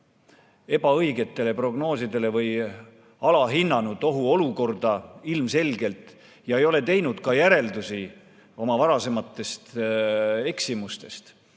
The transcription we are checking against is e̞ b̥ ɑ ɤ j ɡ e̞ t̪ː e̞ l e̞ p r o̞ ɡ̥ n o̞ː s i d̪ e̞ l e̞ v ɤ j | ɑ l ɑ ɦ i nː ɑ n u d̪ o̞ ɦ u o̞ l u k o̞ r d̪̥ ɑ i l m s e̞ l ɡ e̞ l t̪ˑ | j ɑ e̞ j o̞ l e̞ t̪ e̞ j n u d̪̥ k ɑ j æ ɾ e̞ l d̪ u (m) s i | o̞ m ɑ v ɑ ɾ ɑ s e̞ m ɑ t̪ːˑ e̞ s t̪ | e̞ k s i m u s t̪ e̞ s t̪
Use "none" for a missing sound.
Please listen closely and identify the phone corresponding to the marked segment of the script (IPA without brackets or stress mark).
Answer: none